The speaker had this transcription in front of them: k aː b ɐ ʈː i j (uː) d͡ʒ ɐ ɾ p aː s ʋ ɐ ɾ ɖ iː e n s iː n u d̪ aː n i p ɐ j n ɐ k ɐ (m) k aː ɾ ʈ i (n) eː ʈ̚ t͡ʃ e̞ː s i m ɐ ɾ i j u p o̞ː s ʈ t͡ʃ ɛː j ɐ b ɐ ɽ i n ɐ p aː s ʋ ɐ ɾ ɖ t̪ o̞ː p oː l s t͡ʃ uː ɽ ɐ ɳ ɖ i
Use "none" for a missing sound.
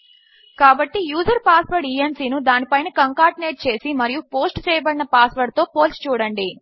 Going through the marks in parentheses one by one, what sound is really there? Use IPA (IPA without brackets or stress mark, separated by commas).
uː, ŋ, n